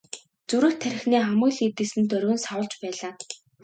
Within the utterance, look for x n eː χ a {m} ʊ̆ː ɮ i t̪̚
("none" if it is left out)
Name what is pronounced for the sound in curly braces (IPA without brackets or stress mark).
m